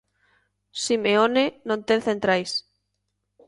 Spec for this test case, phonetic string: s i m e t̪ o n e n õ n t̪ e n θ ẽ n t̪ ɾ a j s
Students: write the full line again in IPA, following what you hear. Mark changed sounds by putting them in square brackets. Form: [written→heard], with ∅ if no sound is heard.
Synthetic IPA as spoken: s i m e [t̪→∅] o n e n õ n t̪ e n θ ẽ n t̪ ɾ a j s